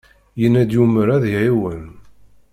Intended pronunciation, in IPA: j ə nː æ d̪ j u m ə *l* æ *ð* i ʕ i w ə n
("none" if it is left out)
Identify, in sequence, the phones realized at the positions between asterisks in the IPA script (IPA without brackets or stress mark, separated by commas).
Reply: ɾ, ð